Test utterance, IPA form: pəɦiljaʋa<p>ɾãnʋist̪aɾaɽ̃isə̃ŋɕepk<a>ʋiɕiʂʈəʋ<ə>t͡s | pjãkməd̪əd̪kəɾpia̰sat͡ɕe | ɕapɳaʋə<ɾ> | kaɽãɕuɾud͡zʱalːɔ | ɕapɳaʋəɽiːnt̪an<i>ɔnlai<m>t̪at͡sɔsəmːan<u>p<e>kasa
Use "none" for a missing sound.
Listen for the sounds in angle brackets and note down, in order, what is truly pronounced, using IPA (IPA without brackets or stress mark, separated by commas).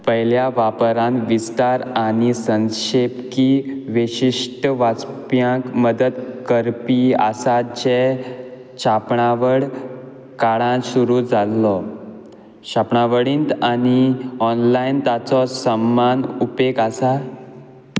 p, i, a, ɽ, i, n, u, e